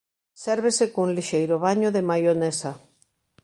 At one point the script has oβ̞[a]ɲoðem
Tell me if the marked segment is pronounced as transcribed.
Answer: yes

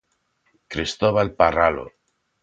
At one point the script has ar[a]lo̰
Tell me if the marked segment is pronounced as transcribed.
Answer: yes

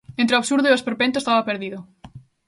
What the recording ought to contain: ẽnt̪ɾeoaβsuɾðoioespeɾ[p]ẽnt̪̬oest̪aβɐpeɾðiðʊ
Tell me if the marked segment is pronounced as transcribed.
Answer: yes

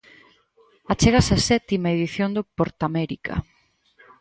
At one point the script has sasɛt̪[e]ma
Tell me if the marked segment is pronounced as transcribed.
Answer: no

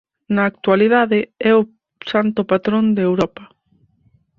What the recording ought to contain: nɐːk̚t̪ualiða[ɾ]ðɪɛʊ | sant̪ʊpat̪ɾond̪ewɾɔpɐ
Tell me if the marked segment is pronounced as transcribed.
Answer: no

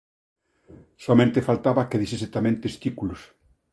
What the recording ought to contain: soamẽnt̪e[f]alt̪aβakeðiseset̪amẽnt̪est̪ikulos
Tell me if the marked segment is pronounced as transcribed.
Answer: yes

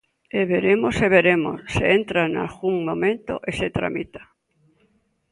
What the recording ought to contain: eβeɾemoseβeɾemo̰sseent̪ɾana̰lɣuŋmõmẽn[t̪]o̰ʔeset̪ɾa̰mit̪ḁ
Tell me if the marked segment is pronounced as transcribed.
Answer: yes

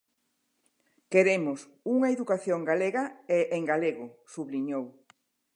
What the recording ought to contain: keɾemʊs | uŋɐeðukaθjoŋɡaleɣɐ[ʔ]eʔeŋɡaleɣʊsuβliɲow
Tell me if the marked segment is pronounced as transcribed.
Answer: no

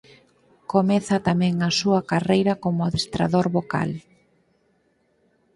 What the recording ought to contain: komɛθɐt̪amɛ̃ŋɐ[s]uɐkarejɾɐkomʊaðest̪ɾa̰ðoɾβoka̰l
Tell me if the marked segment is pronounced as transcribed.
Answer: yes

